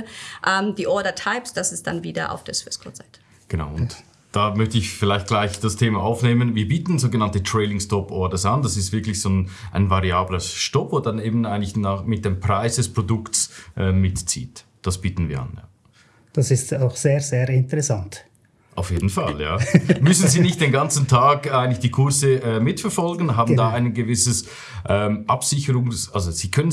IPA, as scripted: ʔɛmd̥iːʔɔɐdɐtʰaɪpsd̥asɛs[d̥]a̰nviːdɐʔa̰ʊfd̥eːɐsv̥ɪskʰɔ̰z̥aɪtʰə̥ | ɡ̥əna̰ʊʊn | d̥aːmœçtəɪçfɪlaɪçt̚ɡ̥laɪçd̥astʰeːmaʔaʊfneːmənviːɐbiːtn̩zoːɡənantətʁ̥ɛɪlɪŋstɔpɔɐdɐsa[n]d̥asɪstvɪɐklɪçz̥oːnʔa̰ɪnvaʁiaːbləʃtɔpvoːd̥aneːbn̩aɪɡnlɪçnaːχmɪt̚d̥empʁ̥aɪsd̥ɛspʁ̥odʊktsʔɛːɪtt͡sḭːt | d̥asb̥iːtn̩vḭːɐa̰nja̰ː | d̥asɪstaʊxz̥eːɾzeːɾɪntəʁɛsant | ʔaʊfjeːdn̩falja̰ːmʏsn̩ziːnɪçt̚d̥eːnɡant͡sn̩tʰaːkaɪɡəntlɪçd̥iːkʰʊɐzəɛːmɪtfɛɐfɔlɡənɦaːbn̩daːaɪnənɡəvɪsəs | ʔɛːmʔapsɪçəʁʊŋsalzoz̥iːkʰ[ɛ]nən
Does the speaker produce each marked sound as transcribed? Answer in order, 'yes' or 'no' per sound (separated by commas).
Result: yes, yes, no